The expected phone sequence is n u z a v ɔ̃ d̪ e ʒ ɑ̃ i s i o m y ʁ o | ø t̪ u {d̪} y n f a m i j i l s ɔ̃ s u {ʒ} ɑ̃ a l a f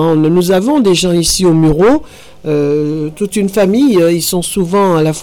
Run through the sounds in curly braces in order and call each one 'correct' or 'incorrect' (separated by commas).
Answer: incorrect, incorrect